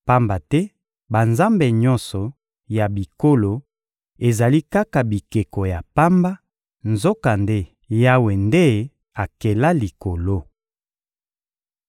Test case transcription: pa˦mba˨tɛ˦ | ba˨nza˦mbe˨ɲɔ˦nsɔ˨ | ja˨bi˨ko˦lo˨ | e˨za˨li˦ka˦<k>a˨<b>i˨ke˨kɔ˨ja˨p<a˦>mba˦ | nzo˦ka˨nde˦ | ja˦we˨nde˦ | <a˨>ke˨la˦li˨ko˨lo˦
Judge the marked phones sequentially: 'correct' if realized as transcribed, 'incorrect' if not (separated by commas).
correct, correct, correct, correct